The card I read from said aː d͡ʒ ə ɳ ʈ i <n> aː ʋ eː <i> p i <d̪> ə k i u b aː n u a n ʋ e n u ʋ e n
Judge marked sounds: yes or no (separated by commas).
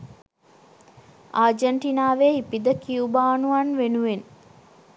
yes, yes, yes